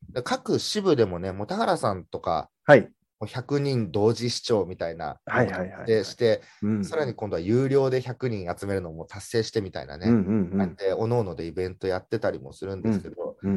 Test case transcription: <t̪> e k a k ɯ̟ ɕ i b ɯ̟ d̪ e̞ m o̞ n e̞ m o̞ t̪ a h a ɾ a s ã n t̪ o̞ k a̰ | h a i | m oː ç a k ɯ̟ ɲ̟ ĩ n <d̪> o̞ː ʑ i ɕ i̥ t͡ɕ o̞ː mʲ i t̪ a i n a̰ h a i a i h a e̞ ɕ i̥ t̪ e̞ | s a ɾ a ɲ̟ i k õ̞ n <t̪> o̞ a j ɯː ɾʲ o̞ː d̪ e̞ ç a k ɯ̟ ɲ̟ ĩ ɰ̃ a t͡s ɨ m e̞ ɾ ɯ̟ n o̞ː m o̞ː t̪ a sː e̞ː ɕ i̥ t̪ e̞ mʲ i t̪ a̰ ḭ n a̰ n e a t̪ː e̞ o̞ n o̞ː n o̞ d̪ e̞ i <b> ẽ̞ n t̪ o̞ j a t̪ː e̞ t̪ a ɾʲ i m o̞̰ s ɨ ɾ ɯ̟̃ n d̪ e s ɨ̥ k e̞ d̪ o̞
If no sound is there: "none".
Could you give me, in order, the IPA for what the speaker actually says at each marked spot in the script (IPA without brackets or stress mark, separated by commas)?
d̪, d̪, d̪, b